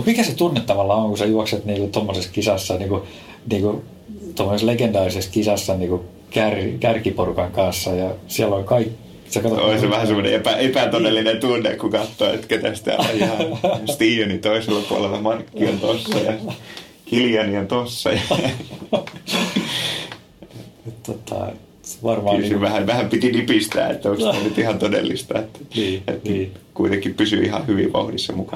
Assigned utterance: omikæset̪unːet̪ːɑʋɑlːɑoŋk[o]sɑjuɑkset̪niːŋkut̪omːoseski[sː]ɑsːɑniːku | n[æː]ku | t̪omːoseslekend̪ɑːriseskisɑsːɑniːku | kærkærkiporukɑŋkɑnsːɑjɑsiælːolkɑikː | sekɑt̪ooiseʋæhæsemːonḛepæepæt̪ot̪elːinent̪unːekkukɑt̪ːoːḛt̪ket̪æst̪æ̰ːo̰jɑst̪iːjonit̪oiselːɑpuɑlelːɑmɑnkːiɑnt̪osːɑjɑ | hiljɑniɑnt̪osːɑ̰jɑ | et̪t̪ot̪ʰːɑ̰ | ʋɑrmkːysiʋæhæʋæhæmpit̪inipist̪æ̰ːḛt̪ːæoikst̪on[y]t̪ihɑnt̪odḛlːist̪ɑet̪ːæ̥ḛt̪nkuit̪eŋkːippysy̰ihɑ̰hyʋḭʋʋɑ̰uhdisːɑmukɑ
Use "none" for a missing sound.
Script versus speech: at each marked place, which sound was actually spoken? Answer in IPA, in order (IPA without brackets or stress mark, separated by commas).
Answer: u, s, iː, y